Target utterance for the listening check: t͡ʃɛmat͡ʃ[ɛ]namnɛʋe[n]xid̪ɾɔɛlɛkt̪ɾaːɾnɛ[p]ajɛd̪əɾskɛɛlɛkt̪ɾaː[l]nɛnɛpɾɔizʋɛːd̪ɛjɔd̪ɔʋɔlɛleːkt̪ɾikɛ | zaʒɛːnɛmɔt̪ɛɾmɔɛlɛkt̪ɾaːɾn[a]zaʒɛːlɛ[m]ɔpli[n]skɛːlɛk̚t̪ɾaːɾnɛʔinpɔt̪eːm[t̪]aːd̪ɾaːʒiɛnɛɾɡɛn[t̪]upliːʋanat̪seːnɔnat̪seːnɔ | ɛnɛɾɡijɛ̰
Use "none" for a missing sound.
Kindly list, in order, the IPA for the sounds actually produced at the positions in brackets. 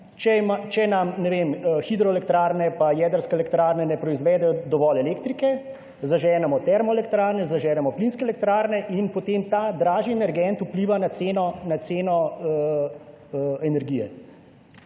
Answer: ɛ, m, p, ɾ, ɛ, m, n, t̪, t̪

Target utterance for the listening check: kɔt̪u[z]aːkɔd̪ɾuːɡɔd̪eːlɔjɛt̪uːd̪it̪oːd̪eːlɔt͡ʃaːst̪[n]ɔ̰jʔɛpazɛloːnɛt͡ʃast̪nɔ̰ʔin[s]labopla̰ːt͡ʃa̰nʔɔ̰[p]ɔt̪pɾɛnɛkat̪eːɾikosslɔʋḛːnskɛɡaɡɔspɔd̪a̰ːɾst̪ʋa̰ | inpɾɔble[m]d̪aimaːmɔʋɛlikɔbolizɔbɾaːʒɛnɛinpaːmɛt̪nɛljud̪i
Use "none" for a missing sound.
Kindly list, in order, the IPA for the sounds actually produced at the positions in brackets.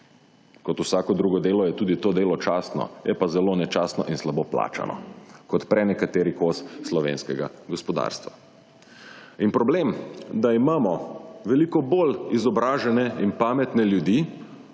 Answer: s, n, s, k, m

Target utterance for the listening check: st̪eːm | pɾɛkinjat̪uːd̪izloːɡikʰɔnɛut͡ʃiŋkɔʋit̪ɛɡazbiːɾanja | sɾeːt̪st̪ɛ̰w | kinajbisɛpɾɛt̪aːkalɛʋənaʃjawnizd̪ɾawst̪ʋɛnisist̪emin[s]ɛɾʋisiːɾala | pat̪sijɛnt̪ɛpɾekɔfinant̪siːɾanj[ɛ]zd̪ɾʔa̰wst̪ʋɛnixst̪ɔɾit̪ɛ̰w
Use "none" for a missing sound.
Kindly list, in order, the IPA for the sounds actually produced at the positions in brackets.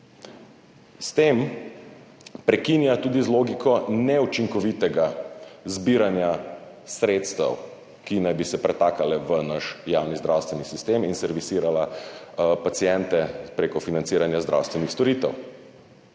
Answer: s, a

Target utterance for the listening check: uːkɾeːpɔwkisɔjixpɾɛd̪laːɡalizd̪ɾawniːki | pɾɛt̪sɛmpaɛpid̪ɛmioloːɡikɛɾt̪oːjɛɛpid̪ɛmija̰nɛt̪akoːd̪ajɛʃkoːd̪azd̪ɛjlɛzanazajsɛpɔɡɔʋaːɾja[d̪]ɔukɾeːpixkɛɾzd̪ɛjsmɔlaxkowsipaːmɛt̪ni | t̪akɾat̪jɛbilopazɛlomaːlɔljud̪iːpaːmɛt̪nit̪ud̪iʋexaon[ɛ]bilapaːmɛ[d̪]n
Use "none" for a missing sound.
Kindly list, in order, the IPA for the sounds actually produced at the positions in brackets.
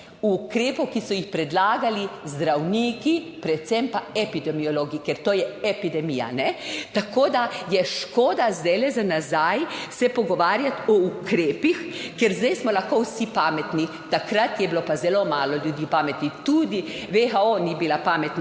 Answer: t̪, i, t̪

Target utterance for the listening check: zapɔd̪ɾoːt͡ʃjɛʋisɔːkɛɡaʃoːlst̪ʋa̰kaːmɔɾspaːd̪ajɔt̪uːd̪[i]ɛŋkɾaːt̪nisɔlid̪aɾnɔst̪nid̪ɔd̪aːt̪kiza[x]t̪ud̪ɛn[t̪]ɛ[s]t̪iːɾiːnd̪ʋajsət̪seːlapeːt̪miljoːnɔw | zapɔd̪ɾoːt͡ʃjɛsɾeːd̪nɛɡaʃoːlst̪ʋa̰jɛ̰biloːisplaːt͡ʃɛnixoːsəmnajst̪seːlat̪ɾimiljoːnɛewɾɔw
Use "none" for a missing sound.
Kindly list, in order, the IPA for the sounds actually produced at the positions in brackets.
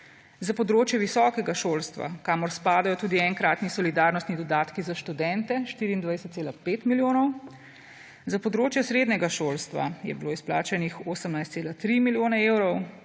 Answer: i, ʃ, t̪, ʃ

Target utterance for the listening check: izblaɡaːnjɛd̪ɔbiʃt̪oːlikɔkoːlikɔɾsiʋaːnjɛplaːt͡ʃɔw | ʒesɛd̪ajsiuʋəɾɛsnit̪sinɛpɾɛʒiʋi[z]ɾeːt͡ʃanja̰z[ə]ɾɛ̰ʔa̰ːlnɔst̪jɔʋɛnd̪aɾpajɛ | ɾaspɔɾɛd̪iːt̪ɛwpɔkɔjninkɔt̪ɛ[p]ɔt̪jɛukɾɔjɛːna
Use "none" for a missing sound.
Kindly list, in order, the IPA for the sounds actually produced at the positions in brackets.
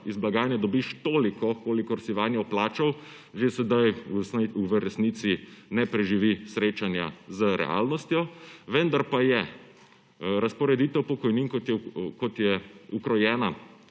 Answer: s, ə, k

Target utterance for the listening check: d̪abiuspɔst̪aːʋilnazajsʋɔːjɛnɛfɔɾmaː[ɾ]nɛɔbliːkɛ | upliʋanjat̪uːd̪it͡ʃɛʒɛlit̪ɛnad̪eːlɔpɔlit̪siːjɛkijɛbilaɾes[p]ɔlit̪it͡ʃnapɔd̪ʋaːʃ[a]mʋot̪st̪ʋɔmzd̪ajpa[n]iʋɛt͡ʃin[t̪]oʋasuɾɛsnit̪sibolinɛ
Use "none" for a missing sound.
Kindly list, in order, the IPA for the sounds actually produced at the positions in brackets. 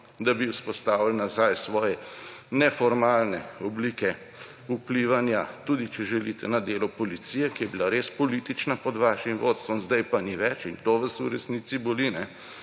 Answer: l, p, i, n, t̪

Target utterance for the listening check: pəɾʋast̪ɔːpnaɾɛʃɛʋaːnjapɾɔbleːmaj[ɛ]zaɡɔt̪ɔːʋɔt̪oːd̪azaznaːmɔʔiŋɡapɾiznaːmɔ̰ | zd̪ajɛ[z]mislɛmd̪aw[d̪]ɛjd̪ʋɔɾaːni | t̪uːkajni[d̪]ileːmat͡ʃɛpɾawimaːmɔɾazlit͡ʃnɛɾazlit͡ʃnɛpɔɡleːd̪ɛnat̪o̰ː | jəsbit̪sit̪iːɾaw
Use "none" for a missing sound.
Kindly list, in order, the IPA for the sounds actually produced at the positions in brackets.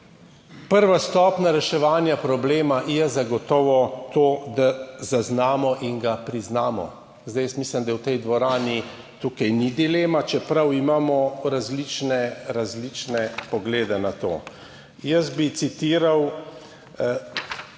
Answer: ɛ, s, t̪, d̪

